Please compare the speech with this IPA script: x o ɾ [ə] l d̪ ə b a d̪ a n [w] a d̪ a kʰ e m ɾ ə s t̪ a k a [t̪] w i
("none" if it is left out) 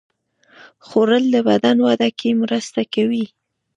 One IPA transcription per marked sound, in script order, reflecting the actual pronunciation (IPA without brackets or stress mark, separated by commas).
ə, w, none